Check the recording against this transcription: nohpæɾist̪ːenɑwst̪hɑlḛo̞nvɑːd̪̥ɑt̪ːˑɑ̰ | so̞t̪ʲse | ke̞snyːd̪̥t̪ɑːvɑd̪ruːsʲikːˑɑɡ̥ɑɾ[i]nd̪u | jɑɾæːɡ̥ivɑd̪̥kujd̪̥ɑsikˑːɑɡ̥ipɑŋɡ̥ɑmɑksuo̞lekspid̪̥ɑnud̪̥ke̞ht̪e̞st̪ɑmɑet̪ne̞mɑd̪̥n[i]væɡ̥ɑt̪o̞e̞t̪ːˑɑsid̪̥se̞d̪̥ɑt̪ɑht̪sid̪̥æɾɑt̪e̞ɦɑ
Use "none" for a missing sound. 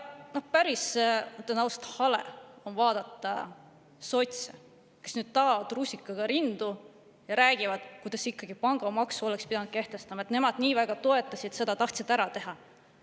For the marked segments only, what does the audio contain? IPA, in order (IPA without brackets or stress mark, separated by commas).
i, iː